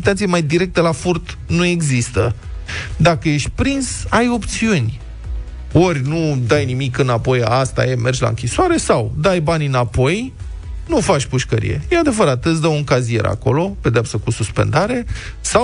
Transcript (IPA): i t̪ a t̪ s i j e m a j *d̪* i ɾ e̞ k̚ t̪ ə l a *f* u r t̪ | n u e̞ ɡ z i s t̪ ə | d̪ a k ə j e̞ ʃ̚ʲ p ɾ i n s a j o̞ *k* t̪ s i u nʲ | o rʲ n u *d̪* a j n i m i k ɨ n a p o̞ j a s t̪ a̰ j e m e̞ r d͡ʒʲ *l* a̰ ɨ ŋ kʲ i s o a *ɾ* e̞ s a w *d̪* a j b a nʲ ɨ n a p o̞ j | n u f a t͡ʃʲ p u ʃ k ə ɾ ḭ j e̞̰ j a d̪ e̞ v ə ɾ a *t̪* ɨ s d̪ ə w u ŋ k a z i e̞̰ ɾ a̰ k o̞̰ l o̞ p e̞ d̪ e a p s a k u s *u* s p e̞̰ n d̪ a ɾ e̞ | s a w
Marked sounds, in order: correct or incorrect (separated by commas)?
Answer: correct, correct, incorrect, correct, correct, correct, correct, correct, correct